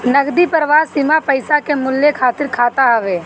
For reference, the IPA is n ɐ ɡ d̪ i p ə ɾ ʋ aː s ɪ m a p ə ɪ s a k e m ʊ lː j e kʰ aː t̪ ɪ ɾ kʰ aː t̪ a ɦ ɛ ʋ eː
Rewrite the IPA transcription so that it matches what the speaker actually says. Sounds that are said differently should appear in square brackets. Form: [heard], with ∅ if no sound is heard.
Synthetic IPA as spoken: n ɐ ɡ d̪ i p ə ɾ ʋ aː s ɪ m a p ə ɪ s a k e m ʊ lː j e kʰ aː t̪ ɪ ɾ kʰ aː t̪ a ɦ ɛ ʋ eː